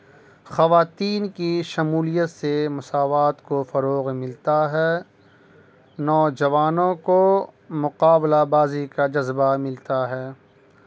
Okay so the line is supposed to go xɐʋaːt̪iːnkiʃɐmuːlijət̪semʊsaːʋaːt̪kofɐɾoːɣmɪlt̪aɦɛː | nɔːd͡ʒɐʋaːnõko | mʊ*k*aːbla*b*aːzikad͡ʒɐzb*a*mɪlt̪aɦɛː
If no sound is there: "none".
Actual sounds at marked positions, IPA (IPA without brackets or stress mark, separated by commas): q, b, a